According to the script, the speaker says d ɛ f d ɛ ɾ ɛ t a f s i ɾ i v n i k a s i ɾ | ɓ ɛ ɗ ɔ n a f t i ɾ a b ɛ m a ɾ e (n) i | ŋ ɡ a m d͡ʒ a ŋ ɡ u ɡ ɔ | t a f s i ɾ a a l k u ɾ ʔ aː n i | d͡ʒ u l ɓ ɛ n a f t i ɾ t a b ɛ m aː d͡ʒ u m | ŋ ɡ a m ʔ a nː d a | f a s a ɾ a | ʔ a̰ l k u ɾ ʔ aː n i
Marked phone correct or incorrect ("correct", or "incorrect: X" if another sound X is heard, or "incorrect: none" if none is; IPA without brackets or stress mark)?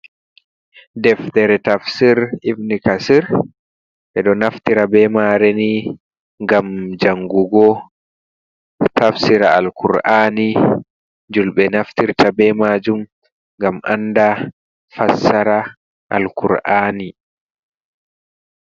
correct